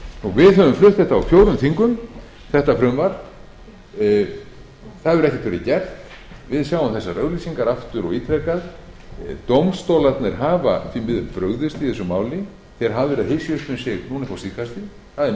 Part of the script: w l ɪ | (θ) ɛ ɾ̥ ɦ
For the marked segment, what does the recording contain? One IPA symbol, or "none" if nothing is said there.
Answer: θ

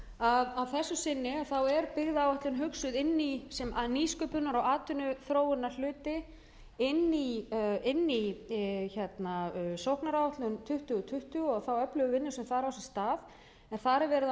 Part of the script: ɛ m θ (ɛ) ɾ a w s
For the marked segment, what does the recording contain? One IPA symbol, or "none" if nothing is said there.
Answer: a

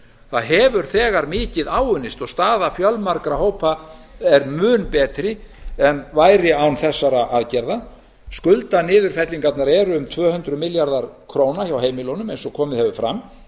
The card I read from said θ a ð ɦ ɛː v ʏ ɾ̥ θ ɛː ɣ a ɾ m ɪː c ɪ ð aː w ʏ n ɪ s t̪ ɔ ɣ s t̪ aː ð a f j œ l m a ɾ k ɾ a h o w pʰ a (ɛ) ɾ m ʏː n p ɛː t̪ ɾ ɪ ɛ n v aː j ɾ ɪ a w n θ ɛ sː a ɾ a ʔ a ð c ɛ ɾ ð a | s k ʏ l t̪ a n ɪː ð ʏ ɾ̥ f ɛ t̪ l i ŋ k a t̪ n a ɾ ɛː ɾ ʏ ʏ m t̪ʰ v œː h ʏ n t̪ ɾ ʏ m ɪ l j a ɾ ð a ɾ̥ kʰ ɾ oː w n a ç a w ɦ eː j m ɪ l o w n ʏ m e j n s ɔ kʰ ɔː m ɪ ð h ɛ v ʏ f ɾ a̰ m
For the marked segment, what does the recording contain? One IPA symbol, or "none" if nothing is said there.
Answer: ɛ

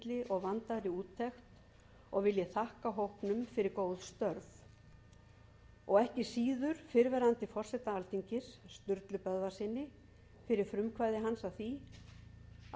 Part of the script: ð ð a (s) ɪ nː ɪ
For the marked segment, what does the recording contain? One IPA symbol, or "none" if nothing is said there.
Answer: s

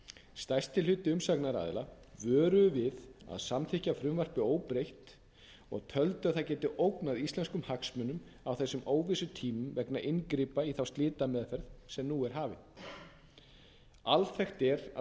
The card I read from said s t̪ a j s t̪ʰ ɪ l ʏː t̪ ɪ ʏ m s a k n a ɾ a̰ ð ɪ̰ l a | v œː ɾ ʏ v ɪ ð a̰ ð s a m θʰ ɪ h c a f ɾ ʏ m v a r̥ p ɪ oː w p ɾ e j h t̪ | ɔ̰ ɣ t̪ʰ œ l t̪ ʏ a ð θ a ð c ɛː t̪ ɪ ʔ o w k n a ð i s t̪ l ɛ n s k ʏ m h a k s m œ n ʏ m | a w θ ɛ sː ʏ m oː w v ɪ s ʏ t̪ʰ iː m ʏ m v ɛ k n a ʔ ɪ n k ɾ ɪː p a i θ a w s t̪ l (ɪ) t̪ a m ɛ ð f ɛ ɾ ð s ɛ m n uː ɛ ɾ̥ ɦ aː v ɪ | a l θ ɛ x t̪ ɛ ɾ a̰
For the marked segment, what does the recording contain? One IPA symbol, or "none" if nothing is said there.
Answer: ɪː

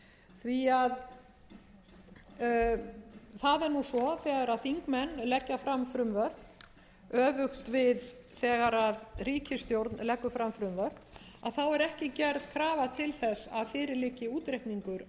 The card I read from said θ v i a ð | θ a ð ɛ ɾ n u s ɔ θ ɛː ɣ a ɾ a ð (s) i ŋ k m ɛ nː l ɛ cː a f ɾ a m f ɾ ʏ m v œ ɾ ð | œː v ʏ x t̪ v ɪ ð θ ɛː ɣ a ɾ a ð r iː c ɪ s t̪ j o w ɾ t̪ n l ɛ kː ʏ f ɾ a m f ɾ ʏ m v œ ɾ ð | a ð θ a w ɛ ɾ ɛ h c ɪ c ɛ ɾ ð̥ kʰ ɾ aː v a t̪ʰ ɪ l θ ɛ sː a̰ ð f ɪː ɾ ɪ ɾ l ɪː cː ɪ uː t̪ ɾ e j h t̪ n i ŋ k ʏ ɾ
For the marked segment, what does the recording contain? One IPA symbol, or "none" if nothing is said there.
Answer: θ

